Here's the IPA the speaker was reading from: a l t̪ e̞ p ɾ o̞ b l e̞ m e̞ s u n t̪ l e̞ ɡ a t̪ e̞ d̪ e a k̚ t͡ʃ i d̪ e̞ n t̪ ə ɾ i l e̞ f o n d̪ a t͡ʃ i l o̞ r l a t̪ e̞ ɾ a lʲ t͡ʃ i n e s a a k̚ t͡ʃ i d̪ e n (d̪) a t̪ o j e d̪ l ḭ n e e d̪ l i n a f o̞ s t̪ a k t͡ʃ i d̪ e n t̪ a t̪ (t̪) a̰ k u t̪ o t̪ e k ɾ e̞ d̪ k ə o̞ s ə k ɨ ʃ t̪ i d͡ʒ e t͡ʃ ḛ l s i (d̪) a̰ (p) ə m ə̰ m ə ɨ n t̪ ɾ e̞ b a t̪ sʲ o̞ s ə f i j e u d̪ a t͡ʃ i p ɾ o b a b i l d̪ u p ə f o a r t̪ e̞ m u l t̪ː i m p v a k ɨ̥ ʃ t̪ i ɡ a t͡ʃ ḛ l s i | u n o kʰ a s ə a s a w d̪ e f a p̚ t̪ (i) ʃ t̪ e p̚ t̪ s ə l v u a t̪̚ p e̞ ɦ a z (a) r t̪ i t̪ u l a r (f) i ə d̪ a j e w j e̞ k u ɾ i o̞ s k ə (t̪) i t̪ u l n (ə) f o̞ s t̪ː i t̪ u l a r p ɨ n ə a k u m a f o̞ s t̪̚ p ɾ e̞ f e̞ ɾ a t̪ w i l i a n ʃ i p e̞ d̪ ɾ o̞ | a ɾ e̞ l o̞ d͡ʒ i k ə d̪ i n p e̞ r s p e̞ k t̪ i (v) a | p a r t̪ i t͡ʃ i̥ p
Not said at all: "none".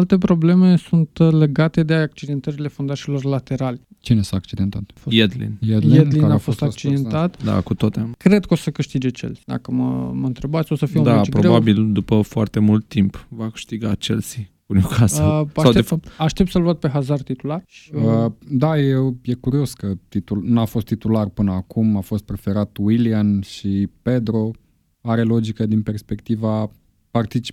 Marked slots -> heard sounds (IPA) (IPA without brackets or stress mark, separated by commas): t̪, d̪, d̪, k, a, a, ʃ, t̪, a, v